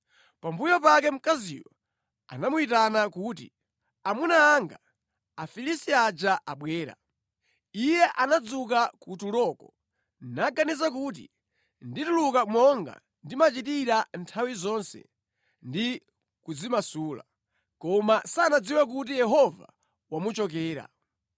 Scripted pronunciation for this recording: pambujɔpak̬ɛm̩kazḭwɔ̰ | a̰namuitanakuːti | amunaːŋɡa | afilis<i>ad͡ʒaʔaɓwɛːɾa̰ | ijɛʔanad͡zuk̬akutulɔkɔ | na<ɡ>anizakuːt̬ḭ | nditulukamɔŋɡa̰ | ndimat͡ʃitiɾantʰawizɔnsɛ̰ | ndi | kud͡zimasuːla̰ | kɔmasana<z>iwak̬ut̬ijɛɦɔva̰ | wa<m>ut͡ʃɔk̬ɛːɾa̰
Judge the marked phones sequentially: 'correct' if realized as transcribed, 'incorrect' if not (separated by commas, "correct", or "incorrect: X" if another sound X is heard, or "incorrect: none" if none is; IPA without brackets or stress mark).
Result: correct, correct, incorrect: d͡z, correct